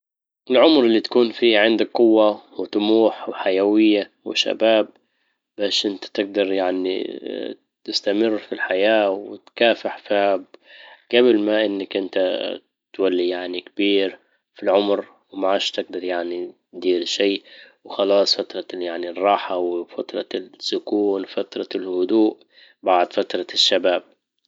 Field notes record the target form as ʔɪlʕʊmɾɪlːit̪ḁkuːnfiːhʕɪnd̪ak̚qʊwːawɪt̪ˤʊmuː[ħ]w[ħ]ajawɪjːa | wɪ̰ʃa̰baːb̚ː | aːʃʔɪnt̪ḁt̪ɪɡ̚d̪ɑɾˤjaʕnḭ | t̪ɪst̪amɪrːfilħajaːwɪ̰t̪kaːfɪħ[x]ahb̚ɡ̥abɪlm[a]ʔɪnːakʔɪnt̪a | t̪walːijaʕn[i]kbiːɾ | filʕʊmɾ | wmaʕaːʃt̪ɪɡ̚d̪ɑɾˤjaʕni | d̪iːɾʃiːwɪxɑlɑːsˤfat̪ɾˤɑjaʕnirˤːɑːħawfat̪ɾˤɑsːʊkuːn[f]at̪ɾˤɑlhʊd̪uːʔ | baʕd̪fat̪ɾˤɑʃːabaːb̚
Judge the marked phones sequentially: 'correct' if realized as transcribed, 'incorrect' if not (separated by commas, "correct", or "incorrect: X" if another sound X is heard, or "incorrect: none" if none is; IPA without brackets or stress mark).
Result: correct, correct, incorrect: f, correct, correct, correct